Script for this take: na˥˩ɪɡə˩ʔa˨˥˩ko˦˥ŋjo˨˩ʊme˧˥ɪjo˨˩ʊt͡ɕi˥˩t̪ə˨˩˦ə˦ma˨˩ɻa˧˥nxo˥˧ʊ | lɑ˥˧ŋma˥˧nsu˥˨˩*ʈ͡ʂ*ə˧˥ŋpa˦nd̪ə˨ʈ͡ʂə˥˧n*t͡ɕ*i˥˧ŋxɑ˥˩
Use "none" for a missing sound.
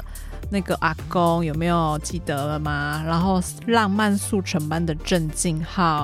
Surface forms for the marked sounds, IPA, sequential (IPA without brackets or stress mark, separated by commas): ʈ͡ʂʰ, t͡ɕ